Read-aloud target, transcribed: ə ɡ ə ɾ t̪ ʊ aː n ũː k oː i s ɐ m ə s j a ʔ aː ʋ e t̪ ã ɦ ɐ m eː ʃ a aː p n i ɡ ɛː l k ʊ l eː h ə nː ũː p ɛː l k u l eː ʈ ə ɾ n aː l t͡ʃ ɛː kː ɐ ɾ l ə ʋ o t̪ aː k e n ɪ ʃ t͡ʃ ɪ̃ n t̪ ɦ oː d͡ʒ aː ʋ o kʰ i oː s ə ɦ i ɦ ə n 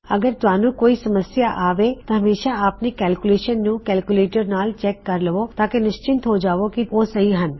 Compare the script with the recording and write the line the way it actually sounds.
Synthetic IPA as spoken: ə ɡ ə ɾ t̪ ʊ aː n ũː k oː i s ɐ m ə s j a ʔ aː ʋ e t̪ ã ɦ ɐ m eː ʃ a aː p n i k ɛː l k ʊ l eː ʃ ə nː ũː k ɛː l k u l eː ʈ ə ɾ n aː l t͡ʃ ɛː kː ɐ ɾ l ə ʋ o t̪ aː k e n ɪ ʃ t͡ʃ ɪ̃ n t̪ ɦ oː d͡ʒ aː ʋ o k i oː s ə ɦ i ɦ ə n

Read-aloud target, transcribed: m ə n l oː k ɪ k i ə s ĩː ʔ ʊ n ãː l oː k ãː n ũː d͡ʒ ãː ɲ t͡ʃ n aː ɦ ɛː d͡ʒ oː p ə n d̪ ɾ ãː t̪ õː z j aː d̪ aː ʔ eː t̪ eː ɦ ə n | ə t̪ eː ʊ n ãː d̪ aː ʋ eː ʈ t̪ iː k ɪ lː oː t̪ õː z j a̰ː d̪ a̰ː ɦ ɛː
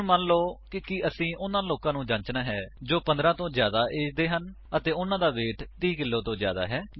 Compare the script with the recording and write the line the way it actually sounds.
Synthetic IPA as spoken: m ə n l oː k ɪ k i ə s ĩː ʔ ʊ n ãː l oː k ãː n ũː d͡ʒ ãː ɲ t͡ʃ n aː ɦ ɛː d͡ʒ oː p ə n d̪ ɾ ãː t̪ õː z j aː d̪ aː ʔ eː d̪ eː ɦ ə n | ə t̪ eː ʊ n ãː d̪ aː ʋ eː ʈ t̪ iː k ɪ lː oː t̪ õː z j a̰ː d̪ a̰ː ɦ ɛː

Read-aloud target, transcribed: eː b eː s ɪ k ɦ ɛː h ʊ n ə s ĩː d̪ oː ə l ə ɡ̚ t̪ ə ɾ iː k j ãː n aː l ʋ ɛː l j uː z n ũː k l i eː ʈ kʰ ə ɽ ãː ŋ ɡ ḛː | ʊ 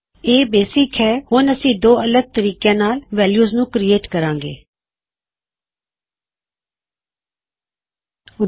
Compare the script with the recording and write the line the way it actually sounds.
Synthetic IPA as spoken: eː b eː s ɪ k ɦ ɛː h ʊ n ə s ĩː d̪ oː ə l ə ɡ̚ t̪ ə ɾ iː k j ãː n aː l ʋ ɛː l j uː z n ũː k ɾ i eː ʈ k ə ɾ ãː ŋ ɡ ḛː | ʊ

